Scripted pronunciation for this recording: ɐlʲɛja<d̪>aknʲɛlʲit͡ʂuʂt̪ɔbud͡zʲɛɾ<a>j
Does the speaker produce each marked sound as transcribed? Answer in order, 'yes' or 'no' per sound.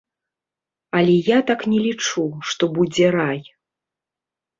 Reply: no, yes

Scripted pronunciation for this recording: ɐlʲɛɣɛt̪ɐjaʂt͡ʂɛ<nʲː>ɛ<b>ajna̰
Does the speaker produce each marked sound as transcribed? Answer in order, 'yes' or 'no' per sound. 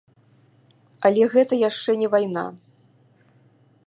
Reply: no, no

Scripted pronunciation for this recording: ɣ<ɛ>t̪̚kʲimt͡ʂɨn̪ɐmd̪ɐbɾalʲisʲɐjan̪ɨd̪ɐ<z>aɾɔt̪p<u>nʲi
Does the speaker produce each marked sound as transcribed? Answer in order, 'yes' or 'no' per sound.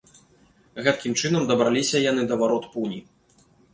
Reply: yes, no, yes

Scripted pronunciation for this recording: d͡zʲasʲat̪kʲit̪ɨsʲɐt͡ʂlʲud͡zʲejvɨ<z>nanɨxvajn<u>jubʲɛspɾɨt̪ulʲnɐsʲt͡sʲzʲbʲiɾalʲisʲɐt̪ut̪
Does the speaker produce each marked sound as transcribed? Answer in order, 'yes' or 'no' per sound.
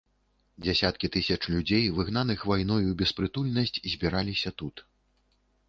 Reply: no, no

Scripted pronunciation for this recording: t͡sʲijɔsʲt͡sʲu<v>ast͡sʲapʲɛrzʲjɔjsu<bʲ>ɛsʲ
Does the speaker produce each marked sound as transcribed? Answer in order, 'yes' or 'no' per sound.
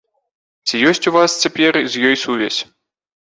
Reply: yes, no

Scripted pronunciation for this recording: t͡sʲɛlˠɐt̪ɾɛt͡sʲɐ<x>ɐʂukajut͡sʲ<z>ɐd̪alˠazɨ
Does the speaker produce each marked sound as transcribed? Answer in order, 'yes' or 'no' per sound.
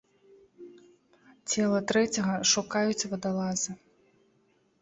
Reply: no, no

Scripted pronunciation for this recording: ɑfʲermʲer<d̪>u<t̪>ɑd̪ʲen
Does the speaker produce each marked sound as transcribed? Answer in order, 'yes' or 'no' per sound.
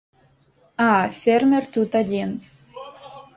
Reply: no, yes

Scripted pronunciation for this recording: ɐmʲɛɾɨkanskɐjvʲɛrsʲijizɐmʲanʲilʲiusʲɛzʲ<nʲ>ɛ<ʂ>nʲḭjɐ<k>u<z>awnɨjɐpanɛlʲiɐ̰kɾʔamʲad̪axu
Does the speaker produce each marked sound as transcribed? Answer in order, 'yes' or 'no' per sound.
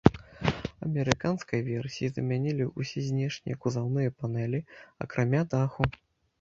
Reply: yes, yes, yes, yes

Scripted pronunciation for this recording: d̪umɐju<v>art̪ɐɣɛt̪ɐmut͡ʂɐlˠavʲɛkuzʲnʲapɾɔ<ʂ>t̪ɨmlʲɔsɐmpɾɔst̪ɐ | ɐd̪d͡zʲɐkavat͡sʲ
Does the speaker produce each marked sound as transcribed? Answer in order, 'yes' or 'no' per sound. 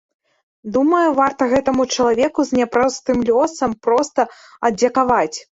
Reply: yes, no

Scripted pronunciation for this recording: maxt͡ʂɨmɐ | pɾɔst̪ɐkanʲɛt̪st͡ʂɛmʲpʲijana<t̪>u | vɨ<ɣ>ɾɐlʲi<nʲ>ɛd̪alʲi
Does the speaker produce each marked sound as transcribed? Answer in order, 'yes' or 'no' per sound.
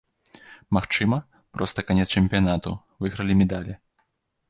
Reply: yes, yes, no

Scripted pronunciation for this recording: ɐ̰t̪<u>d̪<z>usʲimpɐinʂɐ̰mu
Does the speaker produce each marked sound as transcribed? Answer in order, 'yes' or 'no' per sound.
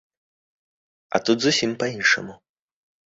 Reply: yes, yes

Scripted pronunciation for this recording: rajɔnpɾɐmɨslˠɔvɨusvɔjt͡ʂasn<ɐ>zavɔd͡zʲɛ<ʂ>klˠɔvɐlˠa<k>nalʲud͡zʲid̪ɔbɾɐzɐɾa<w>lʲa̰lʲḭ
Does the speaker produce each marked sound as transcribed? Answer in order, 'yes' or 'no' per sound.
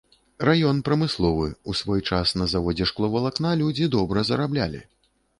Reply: yes, yes, yes, no

